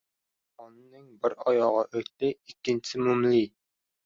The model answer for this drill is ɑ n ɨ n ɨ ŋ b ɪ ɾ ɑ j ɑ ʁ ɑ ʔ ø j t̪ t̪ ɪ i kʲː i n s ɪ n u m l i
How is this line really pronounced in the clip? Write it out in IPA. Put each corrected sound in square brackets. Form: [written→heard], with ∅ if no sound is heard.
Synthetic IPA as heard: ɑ n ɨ n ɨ ŋ b ɪ ɾ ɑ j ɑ ʁ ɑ ʔ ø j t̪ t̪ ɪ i kʲː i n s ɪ [n→m] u m l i